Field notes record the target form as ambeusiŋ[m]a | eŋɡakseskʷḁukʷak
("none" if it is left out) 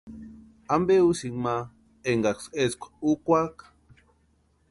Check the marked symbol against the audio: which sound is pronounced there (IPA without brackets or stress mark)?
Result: m